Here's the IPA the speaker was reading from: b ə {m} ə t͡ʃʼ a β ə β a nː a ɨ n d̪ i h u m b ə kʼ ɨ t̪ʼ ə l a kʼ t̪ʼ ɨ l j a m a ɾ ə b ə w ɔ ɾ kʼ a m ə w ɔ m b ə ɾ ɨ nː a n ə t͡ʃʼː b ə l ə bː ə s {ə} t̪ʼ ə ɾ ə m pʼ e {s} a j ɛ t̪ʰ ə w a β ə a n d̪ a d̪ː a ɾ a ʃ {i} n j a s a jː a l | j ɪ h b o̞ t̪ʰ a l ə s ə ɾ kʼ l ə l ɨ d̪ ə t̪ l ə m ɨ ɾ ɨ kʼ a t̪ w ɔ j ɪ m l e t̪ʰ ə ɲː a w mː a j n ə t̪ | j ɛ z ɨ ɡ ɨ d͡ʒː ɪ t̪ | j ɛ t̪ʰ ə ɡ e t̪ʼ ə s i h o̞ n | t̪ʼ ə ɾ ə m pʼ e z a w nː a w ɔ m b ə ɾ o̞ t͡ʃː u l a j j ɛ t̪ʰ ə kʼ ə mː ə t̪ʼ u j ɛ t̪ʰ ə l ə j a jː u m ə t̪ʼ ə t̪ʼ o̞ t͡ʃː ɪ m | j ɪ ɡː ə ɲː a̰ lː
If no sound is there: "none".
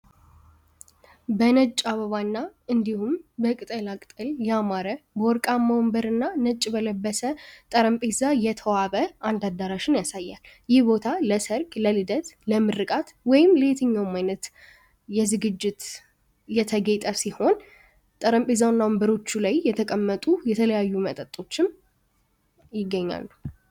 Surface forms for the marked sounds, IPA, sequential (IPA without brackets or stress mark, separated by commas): n, ə, z, ɪ